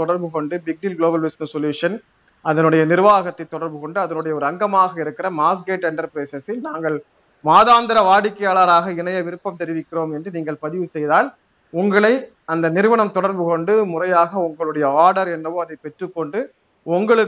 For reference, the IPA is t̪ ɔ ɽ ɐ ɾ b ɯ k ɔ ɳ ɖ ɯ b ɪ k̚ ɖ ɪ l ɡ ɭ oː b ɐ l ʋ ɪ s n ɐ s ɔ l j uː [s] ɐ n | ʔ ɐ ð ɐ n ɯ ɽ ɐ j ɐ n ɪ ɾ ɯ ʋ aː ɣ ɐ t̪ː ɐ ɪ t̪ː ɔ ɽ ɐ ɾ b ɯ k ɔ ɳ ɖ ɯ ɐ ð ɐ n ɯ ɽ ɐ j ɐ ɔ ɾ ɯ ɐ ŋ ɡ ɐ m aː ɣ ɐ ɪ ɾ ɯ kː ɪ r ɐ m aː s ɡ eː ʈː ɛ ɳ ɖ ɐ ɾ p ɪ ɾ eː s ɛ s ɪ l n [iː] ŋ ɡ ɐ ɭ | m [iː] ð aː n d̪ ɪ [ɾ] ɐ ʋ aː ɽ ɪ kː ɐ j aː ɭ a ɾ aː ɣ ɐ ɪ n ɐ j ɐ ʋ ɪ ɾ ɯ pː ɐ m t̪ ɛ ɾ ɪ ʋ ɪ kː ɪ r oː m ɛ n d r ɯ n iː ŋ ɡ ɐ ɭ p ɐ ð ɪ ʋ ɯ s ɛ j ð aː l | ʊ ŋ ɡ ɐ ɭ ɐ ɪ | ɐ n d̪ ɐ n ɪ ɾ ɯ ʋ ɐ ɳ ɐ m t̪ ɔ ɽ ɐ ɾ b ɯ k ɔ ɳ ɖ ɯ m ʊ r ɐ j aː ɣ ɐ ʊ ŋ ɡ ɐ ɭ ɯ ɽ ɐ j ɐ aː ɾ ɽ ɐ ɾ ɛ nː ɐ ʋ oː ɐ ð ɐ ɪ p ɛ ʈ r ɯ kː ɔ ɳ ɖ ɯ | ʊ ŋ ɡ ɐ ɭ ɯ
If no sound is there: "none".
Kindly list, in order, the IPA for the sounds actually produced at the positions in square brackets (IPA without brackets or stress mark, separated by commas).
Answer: ʂ, aː, aː, ɾ